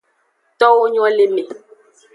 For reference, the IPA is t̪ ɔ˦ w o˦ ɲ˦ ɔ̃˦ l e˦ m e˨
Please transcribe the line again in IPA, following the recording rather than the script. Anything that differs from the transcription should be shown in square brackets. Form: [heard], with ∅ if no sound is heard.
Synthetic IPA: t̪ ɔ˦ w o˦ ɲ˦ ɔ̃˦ l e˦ m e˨